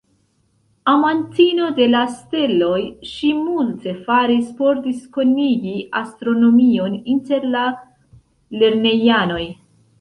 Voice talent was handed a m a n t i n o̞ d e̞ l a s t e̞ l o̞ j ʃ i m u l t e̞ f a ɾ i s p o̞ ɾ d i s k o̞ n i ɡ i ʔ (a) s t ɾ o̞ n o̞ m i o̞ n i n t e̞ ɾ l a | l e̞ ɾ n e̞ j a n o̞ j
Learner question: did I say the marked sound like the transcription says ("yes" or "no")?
yes